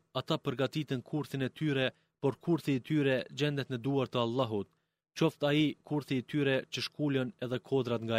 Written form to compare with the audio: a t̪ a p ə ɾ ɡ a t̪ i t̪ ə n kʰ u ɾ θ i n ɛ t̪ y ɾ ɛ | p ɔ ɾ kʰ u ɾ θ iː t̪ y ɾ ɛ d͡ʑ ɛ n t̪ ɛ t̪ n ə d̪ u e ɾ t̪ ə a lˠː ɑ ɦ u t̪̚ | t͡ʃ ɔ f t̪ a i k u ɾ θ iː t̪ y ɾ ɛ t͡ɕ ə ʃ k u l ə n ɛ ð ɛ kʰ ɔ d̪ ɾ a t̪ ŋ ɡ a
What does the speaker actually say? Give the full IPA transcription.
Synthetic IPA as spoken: a t̪ a p ə ɾ ɡ a t̪ i t̪ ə n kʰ u ɾ θ i n ɛ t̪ y ɾ ɛ | p ɔ ɾ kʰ u ɾ θ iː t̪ y ɾ ɛ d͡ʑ ɛ n d̪ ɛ t̪ n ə d̪ u a ɾ t̪ ə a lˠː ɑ ɦ u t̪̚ | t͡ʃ ɔ f t̪ a i k u ɾ θ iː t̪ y ɾ ɛ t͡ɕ ə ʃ k u l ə n ɛ ð ɛ kʰ ɔ d̪ ɾ a t̪ ŋ ɡ a